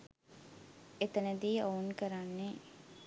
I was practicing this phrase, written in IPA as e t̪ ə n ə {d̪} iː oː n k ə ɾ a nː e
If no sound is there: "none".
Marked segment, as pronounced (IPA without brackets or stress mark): d̪